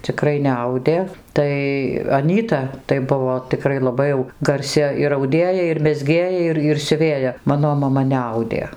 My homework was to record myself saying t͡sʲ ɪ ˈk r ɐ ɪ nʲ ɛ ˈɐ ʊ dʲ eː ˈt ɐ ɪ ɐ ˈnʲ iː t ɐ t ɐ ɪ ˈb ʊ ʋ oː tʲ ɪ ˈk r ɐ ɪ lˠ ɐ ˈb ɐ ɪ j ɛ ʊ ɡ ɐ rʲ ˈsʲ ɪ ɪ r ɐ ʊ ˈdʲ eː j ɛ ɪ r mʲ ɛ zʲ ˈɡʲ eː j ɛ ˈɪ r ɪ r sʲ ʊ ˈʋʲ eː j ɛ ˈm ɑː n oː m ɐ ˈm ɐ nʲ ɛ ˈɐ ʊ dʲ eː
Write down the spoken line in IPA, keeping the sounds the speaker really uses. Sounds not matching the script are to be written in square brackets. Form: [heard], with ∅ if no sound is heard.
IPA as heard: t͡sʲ ɪ ˈk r ɐ ɪ nʲ ɛ ˈɐ ʊ dʲ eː ˈt ɐ ɪ ɐ ˈnʲ iː t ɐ t ɐ ɪ ˈb ʊ ʋ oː tʲ ɪ ˈk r ɐ ɪ lˠ ɐ ˈb ɐ ɪ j ɛ ʊ ɡ ɐ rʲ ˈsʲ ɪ ɪ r ɐ ʊ ˈdʲ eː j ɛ ɪ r mʲ ɛ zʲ ˈɡʲ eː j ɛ ˈɪ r ɪ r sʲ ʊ ˈʋʲ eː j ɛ ˈm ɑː n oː m ɐ ˈm ɐ nʲ ɛ ˈɐ ʊ dʲ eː